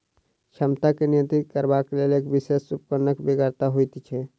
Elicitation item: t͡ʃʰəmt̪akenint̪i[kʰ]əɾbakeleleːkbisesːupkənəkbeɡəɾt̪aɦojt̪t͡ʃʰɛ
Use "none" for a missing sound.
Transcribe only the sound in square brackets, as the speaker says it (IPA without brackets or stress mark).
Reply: k